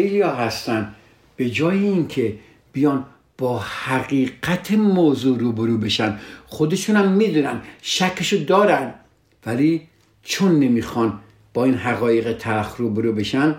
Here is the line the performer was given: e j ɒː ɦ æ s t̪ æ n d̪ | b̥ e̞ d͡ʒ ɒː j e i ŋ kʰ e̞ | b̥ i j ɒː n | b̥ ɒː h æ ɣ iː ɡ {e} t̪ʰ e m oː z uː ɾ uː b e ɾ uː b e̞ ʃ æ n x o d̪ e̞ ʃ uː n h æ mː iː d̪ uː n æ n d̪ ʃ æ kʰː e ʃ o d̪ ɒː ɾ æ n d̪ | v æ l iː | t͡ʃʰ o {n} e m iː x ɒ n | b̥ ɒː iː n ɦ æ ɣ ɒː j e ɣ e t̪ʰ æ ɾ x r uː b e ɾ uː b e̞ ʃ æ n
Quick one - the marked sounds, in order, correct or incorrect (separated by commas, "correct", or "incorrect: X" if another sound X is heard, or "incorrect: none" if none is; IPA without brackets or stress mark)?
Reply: incorrect: æ, incorrect: nː